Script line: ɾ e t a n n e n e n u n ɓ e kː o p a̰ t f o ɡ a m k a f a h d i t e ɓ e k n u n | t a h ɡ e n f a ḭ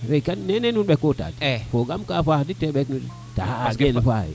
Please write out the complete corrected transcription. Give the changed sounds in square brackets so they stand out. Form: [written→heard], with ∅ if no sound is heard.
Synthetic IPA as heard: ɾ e [t→k] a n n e n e n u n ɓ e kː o [p→t] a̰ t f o ɡ a m k a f a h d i t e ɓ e k n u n | t a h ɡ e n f a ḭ